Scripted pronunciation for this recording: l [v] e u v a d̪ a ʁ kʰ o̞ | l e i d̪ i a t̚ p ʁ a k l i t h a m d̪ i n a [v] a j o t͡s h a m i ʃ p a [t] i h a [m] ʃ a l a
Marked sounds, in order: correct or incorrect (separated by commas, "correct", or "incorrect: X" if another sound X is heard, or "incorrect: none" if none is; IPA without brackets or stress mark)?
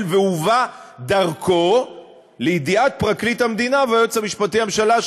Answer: correct, correct, correct, correct